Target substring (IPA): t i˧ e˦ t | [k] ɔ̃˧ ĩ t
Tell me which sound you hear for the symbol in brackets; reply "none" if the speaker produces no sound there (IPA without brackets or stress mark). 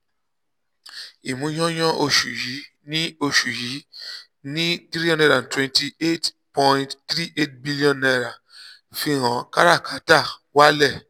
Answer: p